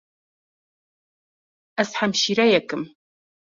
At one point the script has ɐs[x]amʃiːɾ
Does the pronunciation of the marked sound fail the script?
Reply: yes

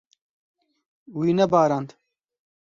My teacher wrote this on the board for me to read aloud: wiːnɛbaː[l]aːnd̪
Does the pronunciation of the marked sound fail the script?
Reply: yes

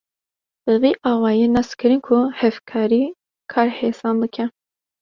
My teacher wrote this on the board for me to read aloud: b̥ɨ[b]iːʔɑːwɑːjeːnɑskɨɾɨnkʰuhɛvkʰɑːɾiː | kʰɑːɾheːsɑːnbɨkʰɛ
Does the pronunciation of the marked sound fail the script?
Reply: yes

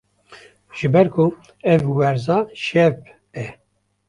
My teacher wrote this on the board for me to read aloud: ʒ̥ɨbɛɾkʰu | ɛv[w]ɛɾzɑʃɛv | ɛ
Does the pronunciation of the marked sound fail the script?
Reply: no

